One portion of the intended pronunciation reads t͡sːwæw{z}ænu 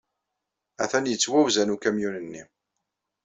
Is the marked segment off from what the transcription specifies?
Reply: no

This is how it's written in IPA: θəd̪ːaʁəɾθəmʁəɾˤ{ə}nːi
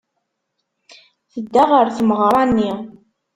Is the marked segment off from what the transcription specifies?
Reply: yes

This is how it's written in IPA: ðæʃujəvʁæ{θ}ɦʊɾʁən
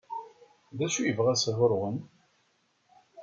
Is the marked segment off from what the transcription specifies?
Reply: yes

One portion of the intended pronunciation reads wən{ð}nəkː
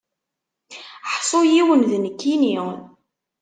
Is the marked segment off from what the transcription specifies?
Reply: no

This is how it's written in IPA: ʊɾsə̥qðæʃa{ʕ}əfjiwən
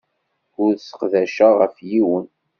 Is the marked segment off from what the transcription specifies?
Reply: yes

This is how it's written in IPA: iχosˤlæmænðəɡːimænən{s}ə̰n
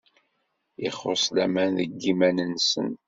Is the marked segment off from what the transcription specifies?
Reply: no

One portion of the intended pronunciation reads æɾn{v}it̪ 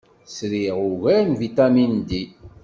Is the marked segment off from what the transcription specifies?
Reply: no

